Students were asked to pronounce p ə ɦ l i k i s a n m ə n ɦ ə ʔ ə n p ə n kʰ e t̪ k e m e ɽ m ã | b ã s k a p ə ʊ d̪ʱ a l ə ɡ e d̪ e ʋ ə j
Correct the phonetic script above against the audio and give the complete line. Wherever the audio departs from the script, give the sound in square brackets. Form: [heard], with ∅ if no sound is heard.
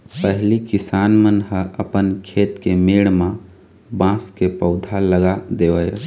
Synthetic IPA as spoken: p ə ɦ l i k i s a n m ə n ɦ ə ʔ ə [∅] p ə n kʰ e t̪ k e m e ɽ m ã | b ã s k [e] p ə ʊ d̪ʱ a l ə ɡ [a] d̪ e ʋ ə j